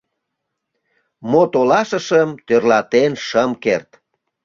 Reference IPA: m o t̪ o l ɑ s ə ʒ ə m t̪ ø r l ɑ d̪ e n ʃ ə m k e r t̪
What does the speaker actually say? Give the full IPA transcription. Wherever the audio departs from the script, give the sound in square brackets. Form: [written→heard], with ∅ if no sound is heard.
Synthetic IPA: m o t̪ o l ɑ [s→ʃ] ə [ʒ→ʃ] ə m t̪ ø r l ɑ [d̪→t̪] e n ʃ ə m k e r t̪